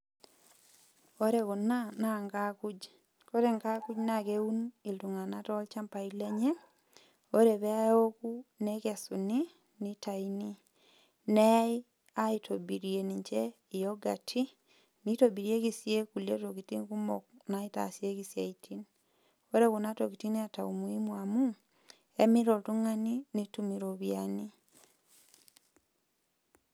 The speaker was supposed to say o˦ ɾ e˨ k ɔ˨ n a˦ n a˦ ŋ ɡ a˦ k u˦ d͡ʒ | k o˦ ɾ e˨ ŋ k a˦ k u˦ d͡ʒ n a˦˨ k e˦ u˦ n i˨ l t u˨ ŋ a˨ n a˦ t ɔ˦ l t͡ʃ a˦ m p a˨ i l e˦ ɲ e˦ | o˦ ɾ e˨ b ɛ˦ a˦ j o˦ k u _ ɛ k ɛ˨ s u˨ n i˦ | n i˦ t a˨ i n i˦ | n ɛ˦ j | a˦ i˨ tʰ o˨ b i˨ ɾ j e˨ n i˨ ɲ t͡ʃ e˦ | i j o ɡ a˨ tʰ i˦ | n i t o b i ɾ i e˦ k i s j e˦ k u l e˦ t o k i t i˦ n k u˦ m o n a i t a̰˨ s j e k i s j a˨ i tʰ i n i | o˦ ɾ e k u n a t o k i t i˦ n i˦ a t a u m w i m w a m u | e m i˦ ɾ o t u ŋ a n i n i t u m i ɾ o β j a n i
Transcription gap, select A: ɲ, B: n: B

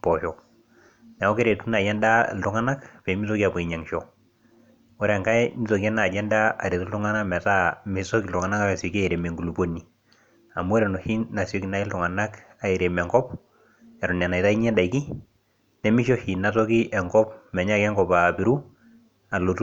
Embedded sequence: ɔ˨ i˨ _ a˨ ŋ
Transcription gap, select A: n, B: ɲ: B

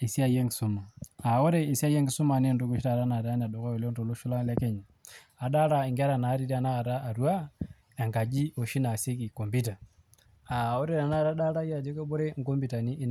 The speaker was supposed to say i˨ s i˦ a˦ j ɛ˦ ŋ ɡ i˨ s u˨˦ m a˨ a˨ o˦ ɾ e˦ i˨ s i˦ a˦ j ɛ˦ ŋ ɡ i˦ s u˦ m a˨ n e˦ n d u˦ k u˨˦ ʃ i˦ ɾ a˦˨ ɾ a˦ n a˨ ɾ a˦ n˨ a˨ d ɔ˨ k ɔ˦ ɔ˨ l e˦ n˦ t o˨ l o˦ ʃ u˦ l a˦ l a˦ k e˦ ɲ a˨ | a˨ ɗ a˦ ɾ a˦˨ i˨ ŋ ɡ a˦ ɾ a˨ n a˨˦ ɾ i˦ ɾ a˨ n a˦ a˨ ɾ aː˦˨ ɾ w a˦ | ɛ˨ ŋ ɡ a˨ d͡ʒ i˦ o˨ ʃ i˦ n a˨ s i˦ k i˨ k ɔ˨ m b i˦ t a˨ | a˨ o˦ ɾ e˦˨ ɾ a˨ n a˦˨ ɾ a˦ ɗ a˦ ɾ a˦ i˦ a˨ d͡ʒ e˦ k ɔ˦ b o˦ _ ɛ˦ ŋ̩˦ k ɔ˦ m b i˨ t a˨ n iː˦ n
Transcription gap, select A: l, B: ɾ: B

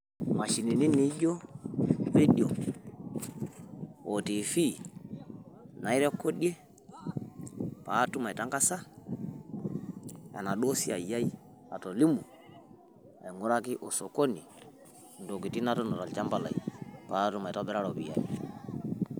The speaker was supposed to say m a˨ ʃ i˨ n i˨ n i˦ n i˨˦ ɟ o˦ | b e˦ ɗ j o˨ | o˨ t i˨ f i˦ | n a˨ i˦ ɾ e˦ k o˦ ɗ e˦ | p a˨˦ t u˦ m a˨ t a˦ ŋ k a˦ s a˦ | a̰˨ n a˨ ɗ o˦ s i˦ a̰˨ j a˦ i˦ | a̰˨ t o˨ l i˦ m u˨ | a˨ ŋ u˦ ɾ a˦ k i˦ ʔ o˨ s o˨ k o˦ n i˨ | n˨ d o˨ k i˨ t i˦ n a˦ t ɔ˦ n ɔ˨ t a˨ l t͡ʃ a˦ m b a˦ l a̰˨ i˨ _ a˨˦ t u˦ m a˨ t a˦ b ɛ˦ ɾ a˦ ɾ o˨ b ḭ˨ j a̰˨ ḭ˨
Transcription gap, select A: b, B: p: B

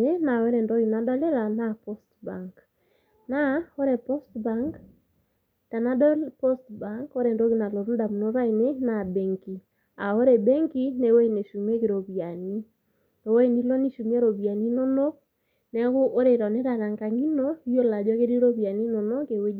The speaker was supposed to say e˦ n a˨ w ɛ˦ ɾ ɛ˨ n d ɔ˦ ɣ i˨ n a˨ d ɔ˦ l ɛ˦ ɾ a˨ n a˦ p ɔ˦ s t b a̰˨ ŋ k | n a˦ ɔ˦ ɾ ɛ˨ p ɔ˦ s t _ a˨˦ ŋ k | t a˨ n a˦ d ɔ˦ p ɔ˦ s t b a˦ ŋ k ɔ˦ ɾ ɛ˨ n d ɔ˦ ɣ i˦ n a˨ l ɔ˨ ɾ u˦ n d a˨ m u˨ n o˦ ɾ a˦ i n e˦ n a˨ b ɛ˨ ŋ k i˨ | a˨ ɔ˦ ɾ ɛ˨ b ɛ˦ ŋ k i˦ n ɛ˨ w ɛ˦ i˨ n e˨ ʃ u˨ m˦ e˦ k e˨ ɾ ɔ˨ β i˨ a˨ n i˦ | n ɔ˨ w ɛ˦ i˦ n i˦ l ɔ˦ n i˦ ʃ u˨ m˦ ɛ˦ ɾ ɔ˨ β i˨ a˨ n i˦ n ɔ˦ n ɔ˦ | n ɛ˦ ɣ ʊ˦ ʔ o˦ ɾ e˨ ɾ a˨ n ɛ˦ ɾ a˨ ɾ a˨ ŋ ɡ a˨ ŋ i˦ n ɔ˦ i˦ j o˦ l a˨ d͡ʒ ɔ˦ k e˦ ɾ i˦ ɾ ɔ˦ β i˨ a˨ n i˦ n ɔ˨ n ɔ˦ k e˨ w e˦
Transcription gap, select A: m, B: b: B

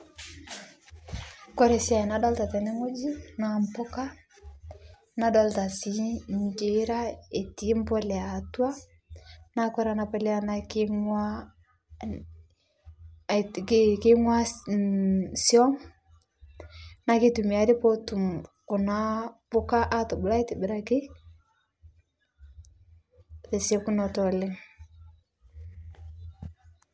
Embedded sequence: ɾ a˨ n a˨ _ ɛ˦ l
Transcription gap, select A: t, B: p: B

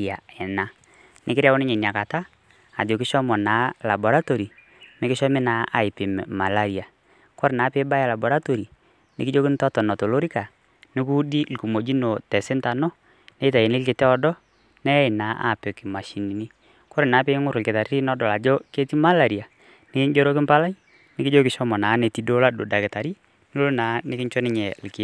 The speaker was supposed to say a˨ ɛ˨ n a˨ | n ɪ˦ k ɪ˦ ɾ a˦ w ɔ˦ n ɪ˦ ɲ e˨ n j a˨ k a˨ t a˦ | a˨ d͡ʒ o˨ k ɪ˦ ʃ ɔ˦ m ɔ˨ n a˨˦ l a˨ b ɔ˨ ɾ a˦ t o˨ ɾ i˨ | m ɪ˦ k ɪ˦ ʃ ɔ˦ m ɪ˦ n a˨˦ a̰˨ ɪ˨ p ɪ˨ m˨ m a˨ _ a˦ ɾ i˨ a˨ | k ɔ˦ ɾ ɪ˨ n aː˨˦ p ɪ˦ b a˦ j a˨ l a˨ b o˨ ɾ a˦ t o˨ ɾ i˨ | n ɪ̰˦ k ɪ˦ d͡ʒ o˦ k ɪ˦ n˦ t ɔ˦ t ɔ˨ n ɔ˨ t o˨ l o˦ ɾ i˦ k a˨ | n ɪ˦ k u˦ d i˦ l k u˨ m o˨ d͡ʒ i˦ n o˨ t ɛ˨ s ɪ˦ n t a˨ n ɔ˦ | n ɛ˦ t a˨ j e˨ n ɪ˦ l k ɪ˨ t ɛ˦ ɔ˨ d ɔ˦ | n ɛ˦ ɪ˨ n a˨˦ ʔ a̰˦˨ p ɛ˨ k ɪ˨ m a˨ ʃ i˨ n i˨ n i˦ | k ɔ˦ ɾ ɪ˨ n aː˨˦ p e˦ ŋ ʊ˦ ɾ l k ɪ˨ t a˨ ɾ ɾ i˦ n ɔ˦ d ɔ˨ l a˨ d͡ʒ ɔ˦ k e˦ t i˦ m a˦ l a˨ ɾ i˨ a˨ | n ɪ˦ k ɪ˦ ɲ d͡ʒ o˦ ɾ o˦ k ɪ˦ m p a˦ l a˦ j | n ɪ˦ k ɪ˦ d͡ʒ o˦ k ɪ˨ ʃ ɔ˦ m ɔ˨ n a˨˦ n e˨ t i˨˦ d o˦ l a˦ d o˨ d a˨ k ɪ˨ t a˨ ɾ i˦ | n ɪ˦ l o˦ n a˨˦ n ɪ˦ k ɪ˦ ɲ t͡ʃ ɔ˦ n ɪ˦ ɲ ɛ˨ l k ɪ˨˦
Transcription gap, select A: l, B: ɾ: A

